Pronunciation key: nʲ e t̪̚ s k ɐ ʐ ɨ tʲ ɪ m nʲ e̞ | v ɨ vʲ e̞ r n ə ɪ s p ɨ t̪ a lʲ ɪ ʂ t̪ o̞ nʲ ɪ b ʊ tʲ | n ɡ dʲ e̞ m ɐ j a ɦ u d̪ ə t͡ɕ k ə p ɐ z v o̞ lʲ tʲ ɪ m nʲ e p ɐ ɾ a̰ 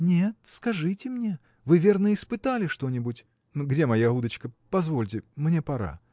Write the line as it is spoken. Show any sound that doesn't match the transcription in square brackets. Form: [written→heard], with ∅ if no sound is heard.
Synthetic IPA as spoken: nʲ e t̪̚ s k ɐ ʐ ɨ tʲ ɪ m nʲ e̞ | v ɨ vʲ e̞ r n ə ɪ s p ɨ t̪ a lʲ ɪ ʂ t̪ o̞ nʲ ɪ b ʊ tʲ | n ɡ dʲ e̞ m ɐ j a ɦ u d̪ ə t͡ɕ k ə p ɐ z v o̞ lʲ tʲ ɪ m nʲ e p ɐ ɾ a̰